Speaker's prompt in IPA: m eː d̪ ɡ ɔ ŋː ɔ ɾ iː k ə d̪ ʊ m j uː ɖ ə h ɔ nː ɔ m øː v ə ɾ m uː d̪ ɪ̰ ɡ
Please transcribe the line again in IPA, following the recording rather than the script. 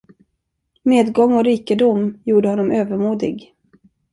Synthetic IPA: m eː d̪ ɡ ɔ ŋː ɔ ɾ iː k ə d̪ ʊ m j uː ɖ ə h ɔ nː ɔ m øː v ə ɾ m uː d̪ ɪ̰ ɡ